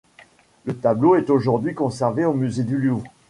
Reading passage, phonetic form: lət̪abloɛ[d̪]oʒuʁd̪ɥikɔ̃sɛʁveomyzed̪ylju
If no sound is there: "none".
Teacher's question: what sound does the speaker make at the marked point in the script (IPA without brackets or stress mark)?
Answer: t̪